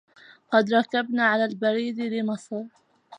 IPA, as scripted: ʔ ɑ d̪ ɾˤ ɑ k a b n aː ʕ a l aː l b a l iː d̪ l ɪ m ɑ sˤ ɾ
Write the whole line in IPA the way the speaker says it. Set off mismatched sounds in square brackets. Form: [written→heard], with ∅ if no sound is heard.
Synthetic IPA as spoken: [ʔ→q] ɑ d̪ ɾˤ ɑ k a b n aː ʕ a l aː l b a [l→ɾ] iː d̪ l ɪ m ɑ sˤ ɾ